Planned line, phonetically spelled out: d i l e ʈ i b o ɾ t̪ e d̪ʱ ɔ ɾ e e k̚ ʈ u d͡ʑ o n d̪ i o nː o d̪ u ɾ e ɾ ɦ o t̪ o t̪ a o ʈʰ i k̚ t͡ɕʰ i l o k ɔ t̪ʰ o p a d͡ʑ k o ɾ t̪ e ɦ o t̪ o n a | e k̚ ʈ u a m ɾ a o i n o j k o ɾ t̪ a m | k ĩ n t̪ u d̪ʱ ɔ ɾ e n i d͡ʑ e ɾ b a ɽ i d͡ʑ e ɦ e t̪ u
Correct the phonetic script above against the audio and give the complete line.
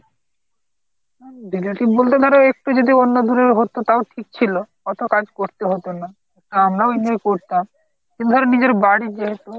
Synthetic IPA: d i l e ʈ i b o l t̪ e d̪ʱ ɔ ɾ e e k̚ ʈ u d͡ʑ o d̪ i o nː o d̪ u ɾ e ɾ ɦ o t̪ o t̪ a o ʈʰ i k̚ t͡ɕʰ i l o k ɔ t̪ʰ o k a d͡ʑ k o ɾ t̪ e ɦ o t̪ o n a | e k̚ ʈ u a m ɾ a o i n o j k o ɾ t̪ a m | k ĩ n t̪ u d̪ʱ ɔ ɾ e n i d͡ʑ e ɾ b a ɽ i d͡ʑ e ɦ e t̪ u